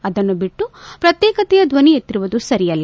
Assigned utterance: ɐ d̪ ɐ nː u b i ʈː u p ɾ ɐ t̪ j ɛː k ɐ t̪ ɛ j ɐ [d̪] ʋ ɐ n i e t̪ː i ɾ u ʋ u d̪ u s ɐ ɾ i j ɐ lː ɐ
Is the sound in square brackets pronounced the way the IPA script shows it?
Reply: yes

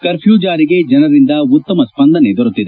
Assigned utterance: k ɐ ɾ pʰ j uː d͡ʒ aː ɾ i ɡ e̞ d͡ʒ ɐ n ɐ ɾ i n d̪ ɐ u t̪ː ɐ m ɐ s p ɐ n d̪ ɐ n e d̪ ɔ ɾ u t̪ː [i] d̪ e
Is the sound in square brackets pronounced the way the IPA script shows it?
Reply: yes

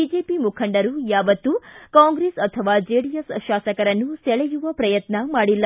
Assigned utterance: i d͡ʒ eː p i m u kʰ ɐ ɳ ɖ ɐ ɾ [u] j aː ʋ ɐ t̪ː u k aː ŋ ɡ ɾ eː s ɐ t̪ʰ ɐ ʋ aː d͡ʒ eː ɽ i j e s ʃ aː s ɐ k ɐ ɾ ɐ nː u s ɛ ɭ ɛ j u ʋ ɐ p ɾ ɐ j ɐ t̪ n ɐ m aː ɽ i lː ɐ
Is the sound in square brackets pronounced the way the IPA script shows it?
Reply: yes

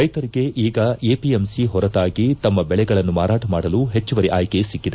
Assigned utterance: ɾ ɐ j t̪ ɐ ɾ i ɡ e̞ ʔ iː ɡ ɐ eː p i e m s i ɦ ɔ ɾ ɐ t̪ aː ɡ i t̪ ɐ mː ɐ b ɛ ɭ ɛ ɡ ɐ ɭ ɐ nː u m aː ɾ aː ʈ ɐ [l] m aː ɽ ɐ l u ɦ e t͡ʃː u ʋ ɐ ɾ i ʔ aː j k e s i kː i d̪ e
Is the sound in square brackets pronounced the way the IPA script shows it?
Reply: no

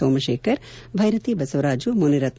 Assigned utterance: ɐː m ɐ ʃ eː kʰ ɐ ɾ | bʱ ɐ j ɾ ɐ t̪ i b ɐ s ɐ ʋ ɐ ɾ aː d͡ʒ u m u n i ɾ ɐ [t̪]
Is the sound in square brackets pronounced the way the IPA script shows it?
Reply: yes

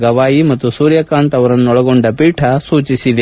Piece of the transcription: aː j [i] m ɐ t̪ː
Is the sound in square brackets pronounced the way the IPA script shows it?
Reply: yes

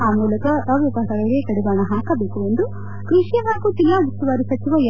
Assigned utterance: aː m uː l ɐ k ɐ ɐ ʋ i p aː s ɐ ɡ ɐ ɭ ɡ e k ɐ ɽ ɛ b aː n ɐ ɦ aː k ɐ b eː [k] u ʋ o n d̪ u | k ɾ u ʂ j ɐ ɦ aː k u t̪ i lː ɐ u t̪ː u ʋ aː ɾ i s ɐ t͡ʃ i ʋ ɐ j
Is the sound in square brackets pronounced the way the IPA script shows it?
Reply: yes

